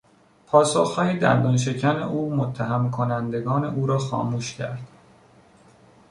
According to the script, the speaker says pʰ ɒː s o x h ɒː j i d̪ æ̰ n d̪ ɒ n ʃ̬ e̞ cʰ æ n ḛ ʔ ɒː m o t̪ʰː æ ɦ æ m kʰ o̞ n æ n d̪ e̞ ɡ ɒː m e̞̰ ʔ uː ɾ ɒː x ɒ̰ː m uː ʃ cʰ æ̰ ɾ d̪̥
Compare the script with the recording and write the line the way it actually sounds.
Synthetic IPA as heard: pʰ ɒː s o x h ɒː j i d̪ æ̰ n d̪ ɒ n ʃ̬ e̞ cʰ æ n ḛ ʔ uː m o t̪ʰː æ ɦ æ m kʰ o̞ n æ n d̪ e̞ ɡ ɒː n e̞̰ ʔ uː ɾ ɒː x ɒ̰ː m uː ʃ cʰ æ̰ ɾ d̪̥